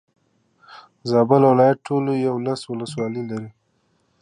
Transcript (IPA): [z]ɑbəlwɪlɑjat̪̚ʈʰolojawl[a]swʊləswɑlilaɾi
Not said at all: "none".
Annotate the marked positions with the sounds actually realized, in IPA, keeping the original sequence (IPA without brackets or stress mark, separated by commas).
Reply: z, a